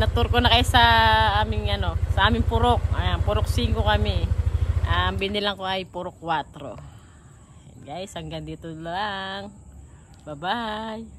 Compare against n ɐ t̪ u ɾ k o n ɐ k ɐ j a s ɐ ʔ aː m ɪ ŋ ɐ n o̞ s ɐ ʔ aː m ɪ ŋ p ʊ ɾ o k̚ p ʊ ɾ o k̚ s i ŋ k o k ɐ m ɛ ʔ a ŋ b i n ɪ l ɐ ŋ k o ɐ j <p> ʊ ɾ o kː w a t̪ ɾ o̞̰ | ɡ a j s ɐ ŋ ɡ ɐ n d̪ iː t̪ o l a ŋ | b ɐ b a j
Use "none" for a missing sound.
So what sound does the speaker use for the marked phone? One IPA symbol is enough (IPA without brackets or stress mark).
p